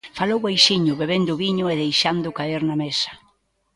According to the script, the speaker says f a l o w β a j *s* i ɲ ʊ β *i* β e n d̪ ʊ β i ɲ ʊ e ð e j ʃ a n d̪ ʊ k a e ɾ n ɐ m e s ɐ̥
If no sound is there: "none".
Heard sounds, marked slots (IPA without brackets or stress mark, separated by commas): ʃ, e